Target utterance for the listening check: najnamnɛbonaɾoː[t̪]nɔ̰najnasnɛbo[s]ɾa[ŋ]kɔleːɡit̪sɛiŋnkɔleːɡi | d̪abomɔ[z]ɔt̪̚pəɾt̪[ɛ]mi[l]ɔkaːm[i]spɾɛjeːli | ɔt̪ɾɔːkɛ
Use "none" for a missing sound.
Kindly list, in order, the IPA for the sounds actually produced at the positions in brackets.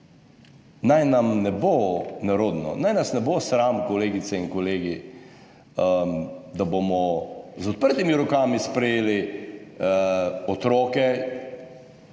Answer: d̪, s, m, z, i, ɾ, i

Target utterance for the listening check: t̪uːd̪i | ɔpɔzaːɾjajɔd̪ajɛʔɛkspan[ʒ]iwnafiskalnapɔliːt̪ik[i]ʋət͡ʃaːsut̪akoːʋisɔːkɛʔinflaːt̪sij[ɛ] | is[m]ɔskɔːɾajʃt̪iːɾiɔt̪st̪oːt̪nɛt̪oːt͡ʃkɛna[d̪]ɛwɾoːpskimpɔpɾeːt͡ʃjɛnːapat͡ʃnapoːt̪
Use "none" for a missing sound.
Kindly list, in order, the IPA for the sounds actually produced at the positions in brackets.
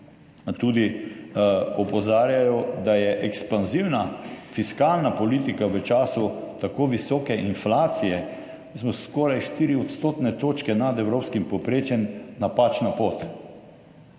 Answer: z, a, ɛ, m, d̪

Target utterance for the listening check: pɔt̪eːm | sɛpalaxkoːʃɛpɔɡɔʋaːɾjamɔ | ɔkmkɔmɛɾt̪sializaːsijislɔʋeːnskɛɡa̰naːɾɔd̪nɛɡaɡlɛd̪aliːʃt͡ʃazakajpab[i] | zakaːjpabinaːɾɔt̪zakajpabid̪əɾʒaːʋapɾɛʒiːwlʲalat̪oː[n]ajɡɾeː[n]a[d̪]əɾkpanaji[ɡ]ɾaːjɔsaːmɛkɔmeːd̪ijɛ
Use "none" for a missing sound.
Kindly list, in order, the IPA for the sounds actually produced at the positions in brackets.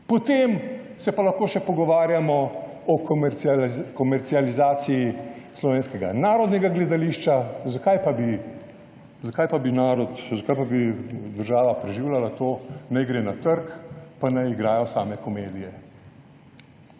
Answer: i, n, n, t̪, ɡ

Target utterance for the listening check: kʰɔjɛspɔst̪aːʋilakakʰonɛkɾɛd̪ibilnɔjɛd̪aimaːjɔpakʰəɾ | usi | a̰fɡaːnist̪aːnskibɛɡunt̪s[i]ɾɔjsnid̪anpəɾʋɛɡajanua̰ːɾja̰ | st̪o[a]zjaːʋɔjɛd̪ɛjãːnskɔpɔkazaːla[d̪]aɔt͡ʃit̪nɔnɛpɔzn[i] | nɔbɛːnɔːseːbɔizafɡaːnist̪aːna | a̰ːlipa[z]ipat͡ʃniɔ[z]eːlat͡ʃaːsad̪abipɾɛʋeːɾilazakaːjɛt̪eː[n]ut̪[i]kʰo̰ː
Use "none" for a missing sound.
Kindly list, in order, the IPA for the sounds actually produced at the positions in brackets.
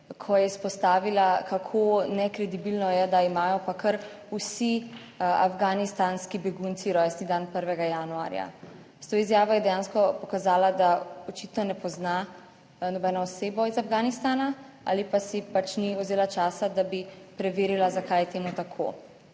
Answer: i, i, d̪, a, s, z, m, a

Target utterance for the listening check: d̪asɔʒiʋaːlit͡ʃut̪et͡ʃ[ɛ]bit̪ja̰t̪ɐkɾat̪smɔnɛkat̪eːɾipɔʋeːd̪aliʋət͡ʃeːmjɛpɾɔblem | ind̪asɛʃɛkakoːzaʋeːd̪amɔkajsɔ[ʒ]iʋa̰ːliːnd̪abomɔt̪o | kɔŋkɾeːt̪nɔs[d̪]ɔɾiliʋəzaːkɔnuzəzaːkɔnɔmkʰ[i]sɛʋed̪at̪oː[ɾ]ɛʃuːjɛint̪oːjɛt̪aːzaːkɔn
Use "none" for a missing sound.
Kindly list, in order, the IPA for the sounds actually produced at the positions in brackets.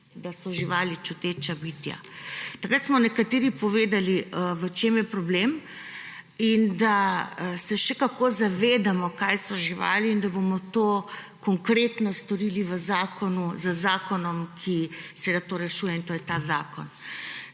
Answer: a, ʒ, t̪, i, ɾ

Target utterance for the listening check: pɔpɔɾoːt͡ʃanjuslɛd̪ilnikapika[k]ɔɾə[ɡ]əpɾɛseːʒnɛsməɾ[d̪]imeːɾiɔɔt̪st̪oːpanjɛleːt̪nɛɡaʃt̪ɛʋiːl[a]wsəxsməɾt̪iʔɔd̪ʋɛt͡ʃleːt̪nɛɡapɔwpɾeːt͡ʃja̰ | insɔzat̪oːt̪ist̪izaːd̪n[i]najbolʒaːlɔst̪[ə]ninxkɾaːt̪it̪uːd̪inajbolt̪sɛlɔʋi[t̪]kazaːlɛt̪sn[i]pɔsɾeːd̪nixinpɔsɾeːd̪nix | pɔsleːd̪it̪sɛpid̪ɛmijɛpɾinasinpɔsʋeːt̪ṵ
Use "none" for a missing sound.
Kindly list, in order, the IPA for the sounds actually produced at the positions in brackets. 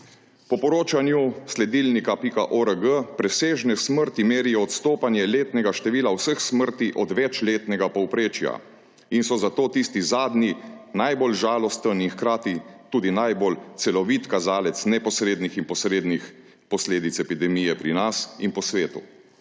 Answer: ʔ, ɡ, t̪, a, i, ə, t̪, ɛ

